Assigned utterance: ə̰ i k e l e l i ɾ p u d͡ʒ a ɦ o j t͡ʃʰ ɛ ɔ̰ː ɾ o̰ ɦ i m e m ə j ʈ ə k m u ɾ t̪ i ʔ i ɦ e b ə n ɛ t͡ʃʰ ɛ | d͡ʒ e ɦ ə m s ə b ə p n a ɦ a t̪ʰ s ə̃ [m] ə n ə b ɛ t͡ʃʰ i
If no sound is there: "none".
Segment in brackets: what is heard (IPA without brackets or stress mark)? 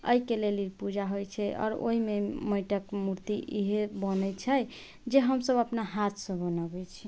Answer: b